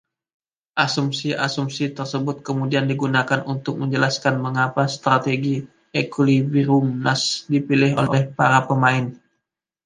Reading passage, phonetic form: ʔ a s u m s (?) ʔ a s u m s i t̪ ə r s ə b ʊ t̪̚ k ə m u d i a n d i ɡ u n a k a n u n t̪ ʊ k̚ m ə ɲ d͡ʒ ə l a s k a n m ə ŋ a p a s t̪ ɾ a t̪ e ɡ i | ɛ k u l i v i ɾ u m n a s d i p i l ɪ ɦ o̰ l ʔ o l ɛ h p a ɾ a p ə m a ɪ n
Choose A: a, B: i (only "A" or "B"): B